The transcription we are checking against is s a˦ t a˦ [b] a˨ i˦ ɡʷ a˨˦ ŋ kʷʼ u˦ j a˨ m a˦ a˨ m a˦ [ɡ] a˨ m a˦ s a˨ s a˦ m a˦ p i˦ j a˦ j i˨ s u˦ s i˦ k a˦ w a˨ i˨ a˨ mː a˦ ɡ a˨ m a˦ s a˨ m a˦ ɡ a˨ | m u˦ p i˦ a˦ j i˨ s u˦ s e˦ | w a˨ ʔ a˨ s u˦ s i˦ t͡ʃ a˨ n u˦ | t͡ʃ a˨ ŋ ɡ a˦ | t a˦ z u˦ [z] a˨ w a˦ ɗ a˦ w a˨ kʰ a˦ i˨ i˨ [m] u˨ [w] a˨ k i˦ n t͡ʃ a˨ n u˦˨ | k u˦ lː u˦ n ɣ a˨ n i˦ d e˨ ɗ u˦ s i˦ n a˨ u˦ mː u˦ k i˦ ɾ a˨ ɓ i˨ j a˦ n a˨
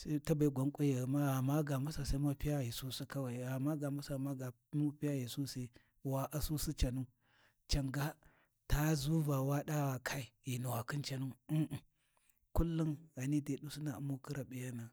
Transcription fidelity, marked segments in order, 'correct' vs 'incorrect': correct, correct, incorrect, incorrect, correct

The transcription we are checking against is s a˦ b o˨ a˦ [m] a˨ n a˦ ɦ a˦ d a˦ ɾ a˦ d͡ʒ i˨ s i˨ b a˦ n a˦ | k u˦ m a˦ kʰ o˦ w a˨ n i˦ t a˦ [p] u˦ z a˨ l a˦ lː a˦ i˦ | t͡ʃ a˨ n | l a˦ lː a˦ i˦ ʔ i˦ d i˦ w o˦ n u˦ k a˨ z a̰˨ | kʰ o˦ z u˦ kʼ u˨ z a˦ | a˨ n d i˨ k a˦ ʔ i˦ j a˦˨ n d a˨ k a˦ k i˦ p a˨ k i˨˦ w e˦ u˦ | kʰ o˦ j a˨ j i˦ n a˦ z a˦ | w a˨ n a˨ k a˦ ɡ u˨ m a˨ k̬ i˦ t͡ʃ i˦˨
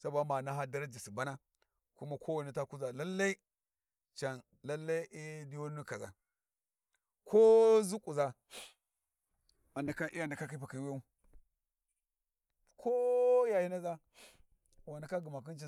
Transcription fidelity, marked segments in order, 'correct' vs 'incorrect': correct, incorrect

